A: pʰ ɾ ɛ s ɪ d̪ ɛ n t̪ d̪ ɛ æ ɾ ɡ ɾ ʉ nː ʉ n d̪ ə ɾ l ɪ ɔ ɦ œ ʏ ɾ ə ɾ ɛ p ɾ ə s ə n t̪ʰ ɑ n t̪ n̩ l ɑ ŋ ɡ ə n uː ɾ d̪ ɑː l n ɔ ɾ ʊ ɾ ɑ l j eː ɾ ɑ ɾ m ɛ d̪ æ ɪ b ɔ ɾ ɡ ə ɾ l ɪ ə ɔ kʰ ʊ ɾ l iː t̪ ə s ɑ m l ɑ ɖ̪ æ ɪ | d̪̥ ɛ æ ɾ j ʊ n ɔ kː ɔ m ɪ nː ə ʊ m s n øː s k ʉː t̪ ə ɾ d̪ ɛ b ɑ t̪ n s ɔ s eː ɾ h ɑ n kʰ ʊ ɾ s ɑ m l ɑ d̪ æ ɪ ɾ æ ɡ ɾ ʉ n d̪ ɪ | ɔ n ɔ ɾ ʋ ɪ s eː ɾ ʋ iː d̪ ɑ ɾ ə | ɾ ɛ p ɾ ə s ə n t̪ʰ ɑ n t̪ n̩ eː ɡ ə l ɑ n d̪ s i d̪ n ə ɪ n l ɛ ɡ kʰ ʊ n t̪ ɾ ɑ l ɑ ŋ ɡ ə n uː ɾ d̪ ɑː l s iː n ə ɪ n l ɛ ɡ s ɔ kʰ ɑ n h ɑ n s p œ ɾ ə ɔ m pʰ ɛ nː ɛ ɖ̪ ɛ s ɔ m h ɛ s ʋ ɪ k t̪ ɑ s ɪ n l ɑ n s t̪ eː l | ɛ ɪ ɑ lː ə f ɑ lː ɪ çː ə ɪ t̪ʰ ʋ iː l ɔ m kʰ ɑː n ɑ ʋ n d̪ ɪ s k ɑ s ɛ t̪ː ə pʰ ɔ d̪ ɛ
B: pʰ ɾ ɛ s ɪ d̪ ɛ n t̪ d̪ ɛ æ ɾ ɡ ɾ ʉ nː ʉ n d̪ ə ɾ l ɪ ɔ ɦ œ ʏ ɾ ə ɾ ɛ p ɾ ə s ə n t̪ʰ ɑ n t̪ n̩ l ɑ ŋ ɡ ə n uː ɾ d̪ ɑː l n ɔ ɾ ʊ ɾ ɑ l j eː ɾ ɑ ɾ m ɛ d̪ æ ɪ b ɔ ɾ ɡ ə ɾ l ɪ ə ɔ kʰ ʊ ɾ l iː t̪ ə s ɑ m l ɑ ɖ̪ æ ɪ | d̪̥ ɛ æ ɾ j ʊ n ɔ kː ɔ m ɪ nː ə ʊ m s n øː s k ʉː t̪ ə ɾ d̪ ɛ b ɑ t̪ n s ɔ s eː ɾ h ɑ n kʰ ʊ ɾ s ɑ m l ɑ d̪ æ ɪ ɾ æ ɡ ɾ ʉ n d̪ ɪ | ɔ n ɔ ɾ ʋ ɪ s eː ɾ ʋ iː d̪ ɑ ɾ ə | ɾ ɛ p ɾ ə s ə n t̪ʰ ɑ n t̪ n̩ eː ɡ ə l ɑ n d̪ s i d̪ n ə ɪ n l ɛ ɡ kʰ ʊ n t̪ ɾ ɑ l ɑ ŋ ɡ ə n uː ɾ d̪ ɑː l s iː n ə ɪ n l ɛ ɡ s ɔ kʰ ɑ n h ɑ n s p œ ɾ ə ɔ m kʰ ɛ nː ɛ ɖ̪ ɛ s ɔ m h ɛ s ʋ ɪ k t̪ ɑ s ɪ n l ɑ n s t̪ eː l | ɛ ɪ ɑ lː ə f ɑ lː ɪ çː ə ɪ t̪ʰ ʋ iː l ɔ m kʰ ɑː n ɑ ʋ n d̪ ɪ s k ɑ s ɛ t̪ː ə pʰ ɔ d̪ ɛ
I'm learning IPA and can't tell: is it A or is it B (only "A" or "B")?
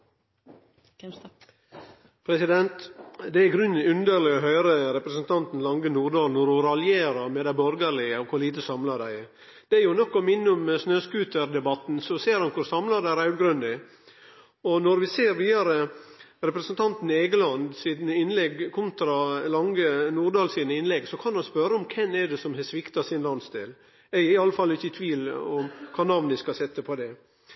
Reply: B